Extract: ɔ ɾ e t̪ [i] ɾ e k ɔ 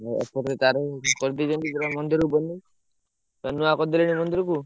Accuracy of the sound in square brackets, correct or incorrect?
incorrect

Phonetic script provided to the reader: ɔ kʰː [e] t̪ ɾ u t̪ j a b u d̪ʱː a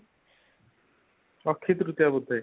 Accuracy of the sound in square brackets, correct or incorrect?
incorrect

